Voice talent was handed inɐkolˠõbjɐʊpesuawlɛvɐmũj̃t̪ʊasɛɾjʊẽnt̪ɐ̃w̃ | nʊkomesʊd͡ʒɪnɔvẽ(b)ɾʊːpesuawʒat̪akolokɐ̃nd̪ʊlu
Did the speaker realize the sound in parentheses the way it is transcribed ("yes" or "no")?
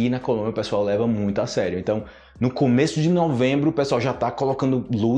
yes